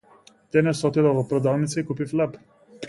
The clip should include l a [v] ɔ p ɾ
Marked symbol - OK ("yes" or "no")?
yes